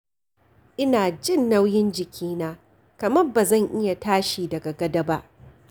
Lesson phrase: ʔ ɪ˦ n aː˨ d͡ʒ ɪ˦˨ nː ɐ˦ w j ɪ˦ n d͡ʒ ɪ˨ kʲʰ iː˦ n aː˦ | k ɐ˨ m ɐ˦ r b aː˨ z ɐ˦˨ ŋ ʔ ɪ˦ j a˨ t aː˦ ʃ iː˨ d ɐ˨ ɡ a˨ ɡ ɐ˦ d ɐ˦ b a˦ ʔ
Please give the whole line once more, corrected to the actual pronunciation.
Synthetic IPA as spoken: ʔ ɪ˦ n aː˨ d͡ʒ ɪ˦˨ nː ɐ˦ w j ɪ˦ n d͡ʒ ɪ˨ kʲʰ iː˦ n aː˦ | k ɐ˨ m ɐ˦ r b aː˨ z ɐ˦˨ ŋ ʔ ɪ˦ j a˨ t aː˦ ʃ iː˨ d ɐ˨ ɡ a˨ ɡ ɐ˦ d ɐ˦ b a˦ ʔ